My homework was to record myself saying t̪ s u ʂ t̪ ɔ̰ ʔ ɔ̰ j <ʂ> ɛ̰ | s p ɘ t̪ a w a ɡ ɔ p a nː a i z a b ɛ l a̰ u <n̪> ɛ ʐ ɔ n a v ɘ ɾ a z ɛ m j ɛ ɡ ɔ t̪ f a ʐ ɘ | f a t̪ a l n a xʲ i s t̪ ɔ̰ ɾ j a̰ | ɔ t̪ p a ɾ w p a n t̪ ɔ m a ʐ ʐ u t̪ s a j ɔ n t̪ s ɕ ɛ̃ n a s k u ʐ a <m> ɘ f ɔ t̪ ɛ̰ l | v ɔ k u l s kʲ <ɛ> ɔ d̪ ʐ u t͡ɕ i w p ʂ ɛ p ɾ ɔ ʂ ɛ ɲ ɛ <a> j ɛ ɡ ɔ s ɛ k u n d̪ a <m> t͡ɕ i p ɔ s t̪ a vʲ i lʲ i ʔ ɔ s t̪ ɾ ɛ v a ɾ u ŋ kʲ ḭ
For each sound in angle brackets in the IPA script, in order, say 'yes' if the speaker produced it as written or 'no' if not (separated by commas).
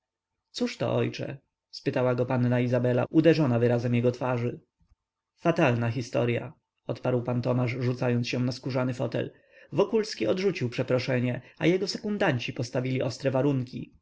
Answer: no, no, no, no, yes, no